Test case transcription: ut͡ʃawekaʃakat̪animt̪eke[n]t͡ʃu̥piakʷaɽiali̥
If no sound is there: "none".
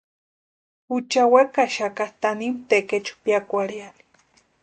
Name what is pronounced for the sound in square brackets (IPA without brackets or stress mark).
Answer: none